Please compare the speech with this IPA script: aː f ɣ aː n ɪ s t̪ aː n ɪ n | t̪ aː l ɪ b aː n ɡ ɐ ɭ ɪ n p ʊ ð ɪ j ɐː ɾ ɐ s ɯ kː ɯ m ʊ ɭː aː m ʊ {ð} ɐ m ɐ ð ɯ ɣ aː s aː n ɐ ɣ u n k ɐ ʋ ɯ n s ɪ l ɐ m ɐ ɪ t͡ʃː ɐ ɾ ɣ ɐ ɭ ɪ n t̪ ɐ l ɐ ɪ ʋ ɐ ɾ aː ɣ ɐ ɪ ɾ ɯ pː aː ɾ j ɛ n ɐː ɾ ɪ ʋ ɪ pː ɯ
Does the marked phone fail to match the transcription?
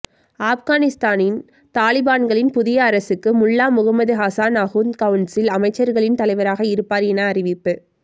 yes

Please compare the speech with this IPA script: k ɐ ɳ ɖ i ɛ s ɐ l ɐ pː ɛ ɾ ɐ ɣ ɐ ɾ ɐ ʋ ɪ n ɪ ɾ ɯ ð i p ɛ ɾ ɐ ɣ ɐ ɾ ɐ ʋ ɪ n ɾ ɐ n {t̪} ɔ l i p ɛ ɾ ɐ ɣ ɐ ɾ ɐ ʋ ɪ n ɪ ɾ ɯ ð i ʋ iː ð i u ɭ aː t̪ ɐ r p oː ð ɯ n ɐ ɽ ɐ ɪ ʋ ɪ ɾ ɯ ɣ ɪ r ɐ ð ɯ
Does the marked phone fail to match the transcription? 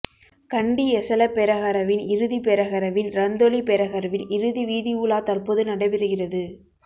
yes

